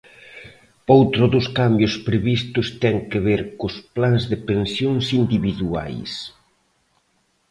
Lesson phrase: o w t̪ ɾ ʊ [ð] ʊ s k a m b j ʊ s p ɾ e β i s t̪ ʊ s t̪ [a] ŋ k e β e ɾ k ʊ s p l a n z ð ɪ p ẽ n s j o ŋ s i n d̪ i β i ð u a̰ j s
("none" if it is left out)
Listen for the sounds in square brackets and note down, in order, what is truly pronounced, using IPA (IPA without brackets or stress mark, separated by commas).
ð, ɛ